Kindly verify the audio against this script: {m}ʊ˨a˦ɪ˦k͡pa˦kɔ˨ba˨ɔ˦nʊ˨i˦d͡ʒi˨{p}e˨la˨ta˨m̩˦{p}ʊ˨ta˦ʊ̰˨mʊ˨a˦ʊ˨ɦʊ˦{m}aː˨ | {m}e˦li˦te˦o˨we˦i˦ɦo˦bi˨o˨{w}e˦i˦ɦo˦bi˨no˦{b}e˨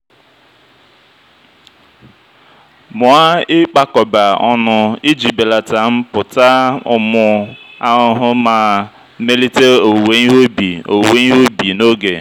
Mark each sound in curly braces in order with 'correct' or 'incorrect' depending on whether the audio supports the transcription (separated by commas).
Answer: correct, incorrect, correct, correct, correct, correct, incorrect